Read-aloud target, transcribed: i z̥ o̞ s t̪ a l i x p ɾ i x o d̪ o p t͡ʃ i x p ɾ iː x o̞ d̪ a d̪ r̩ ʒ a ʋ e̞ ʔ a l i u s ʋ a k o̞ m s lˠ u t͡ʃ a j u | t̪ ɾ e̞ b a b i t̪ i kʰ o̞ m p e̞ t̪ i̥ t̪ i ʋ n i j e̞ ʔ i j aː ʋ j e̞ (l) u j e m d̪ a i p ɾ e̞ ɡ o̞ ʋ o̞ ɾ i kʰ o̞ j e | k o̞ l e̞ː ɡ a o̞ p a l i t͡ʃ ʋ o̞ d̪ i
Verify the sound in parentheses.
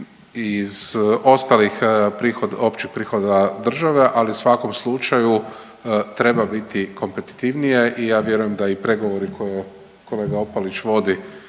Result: incorrect: ɾ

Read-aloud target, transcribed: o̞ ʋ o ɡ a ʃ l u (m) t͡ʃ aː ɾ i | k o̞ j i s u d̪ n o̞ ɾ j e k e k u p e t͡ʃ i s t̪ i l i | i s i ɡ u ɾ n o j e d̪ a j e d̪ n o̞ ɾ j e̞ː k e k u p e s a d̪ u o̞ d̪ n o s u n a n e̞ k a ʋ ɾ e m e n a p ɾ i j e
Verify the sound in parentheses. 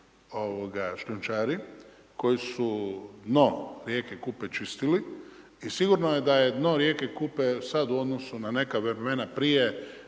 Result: incorrect: n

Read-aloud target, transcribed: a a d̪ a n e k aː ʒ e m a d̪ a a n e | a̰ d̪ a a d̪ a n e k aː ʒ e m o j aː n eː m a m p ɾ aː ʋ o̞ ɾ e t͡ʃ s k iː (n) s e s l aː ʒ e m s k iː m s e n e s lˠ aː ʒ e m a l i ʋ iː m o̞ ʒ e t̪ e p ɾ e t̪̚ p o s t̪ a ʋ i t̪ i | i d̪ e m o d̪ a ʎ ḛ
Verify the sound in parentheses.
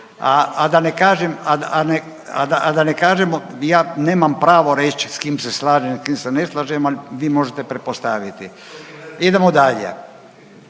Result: incorrect: m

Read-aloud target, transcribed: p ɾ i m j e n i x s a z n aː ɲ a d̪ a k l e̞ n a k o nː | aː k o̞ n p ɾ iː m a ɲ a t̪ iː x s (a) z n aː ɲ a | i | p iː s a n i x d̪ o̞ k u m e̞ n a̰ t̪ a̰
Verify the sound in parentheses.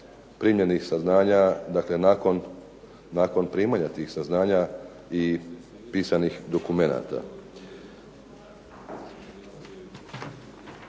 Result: correct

